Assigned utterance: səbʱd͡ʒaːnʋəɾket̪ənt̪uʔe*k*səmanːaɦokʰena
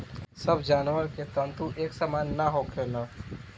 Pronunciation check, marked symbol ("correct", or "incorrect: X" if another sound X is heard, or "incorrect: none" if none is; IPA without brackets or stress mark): correct